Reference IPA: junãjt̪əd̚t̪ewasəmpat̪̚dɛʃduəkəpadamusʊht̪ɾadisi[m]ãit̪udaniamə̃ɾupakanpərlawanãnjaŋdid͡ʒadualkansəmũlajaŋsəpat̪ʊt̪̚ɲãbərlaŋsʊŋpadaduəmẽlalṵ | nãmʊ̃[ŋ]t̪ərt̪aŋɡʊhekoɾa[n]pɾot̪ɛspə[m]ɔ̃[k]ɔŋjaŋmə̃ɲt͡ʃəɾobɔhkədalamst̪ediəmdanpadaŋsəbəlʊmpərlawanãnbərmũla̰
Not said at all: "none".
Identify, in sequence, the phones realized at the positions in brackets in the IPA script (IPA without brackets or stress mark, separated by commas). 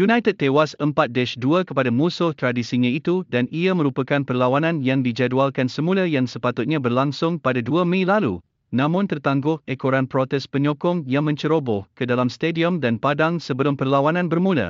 ɲ, n, n, ɲ, k